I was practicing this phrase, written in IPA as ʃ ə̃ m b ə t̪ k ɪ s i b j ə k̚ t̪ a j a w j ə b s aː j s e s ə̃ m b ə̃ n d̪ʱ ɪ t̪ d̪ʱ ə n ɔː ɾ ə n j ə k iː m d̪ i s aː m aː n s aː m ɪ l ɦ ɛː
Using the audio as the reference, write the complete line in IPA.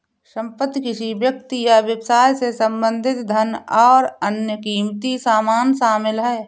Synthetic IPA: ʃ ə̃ m p ə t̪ k ɪ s i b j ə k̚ t̪ i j a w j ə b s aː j s e s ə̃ m b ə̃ n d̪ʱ ɪ t̪ d̪ʱ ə n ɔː ɾ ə n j ə k iː m t̪ i s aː m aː n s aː m ɪ l ɦ ɛː

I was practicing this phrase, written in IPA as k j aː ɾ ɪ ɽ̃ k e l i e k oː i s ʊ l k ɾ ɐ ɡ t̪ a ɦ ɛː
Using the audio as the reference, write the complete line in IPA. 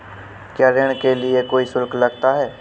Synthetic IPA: k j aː ɾ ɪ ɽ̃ k e l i e k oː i s ʊ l k l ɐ ɡ t̪ a ɦ ɛː

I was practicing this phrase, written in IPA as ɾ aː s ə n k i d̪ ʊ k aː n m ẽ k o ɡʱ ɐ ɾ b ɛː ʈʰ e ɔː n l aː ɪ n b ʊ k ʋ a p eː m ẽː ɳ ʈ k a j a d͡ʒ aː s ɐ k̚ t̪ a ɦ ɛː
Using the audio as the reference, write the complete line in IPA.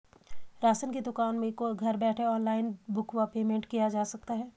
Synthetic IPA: ɾ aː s ə n k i d̪ ʊ k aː n m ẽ k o ɡʱ ɐ ɾ b ɛː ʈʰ e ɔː n l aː ɪ n b ʊ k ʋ a p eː m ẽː ɳ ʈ k i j a d͡ʒ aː s ɐ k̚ t̪ a ɦ ɛː

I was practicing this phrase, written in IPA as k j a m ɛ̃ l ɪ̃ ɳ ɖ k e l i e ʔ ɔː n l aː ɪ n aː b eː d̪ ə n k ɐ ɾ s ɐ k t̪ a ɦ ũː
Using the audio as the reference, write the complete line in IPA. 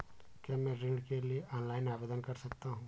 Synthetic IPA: k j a m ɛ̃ ɾ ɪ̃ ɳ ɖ k e l i e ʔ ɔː n l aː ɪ n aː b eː d̪ ə n k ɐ ɾ s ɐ k t̪ a ɦ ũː

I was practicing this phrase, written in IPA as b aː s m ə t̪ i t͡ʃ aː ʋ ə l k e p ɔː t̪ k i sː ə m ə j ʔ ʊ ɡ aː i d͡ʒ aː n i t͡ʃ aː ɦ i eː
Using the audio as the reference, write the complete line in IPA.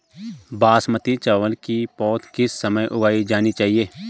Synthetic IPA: b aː s m ə t̪ i t͡ʃ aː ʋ ə l k i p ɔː t̪ k ɪ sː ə m ə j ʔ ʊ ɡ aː i d͡ʒ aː n i t͡ʃ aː ɦ i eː

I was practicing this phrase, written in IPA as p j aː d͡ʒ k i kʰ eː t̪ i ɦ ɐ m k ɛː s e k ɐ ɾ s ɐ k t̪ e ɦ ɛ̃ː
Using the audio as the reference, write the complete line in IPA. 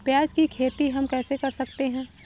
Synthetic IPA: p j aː d͡ʒ k i kʰ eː t̪ i ɦ ɐ m k ɛː s e k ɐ ɾ s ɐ k t̪ e ɦ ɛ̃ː

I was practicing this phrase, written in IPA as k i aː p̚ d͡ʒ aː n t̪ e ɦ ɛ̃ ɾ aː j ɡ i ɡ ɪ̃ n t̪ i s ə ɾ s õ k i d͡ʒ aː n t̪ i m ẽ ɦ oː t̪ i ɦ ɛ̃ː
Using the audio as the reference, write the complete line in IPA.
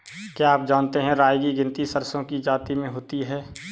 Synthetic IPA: k j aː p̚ d͡ʒ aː n t̪ e ɦ ɛ̃ ɾ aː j ɡ i ɡ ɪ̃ n t̪ i s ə ɾ s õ k i d͡ʒ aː t̪ i m ẽ ɦ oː t̪ i ɦ ɛː

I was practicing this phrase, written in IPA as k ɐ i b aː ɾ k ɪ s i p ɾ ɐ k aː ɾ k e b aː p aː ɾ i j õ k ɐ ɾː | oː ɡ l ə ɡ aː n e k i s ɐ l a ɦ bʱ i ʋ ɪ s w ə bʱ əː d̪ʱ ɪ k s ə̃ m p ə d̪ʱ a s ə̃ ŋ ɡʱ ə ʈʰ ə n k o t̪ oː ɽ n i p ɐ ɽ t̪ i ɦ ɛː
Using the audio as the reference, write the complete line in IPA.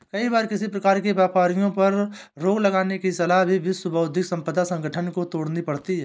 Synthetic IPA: k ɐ i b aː ɾ k ɪ s i p ɾ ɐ k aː ɾ k e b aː p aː ɾ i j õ p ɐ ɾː | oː ɡ l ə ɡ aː n e k i s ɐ l a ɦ bʱ i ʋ ɪ s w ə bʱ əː d̪ʱ ɪ k s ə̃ m p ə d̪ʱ a s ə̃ ŋ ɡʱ ə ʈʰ ə n k o t̪ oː ɽ n i p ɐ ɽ t̪ i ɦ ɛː

